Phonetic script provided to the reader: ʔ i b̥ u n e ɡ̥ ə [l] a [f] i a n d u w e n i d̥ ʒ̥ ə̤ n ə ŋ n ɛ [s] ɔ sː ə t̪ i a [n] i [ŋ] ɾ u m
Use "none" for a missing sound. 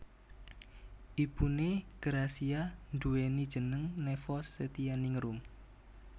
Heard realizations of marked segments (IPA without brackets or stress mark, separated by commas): ɾ, s, f, n, ŋ